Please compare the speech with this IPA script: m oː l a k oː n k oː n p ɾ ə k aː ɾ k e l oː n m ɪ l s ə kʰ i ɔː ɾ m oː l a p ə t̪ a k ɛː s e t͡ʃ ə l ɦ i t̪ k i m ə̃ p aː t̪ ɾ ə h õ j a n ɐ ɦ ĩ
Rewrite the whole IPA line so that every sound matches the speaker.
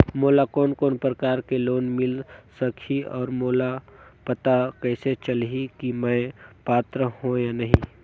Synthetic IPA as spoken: m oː l a k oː n k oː n p ɾ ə k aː ɾ k e l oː n m ɪ l s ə kʰ i ɔː ɾ m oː l a p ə t̪ a k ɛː s e t͡ʃ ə l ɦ i k i m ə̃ p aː t̪ ɾ ə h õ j a n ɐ ɦ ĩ